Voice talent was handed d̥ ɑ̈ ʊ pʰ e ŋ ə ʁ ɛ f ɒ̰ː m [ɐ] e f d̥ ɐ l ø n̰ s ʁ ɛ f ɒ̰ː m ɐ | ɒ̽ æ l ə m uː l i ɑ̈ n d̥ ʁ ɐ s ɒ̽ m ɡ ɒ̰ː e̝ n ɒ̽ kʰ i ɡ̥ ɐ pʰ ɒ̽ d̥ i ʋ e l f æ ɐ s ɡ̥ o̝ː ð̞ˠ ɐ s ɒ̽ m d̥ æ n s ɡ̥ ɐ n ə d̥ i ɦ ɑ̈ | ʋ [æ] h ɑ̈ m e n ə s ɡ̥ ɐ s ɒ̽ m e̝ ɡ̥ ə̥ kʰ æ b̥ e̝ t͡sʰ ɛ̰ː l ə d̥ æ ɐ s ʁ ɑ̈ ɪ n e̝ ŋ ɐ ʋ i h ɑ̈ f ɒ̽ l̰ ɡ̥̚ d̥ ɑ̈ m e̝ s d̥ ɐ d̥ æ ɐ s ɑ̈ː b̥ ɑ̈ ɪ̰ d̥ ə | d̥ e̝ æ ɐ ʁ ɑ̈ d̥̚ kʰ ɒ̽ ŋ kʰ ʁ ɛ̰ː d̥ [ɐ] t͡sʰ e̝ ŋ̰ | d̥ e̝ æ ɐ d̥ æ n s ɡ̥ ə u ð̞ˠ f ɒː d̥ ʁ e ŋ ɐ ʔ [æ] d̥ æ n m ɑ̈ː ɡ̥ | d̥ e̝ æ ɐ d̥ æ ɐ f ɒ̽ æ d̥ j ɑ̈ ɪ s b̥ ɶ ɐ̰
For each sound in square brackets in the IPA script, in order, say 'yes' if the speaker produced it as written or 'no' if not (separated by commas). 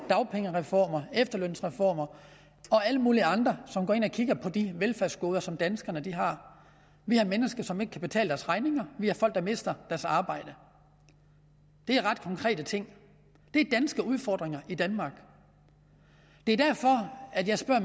yes, no, no, no